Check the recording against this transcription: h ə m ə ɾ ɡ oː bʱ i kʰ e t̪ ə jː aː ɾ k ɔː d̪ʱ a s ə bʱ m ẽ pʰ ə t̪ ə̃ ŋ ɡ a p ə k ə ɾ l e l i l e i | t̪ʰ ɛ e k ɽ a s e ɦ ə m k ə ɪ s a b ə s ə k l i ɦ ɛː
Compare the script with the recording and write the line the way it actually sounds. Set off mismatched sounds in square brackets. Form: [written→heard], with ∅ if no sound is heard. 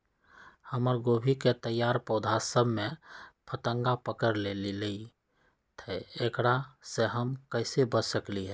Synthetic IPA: h ə m ə ɾ ɡ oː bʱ i [kʰ→k] e t̪ ə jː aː ɾ [k→p] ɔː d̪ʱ a s ə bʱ m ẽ pʰ ə t̪ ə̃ ŋ ɡ a p ə k ə ɾ l e l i l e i | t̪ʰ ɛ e k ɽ a s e ɦ ə m k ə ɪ s [a→e] b ə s ə k l i ɦ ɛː